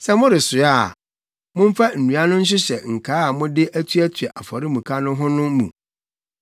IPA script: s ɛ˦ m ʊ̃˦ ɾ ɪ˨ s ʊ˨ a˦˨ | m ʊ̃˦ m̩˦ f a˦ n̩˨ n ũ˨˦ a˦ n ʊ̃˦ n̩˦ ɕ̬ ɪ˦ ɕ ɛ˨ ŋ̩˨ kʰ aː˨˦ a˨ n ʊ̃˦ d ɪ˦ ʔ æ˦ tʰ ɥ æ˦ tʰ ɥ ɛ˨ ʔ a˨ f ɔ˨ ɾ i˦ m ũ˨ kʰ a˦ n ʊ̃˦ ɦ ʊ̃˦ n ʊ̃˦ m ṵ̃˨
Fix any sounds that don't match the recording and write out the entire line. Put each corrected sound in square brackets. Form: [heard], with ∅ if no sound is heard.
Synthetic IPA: s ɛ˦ m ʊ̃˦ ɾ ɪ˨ s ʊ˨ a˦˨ | m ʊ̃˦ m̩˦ f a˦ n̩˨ n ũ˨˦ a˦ n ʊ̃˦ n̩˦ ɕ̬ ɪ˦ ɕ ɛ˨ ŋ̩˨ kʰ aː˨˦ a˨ [m] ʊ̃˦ d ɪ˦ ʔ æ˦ tʰ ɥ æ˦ tʰ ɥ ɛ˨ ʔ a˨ f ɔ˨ ɾ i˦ m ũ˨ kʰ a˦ n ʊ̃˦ ɦ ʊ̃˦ n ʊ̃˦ m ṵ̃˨